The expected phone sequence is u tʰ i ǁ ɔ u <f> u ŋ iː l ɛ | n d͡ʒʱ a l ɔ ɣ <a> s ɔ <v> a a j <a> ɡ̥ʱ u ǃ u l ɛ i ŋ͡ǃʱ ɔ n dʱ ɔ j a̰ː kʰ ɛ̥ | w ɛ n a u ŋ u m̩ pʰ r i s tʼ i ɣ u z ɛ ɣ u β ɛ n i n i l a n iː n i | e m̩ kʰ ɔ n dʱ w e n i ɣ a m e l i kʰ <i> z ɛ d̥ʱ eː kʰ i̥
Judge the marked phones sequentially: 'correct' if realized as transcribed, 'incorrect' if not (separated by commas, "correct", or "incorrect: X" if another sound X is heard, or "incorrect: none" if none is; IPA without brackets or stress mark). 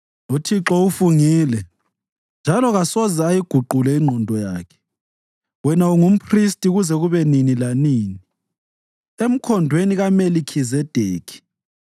correct, correct, incorrect: z, incorrect: i, correct